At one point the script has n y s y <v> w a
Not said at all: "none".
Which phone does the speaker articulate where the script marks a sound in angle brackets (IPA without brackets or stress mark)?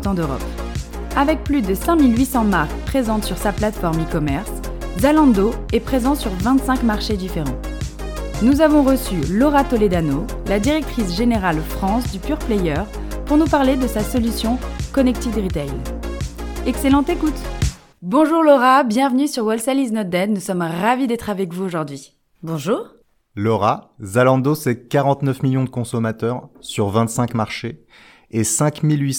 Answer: ʁ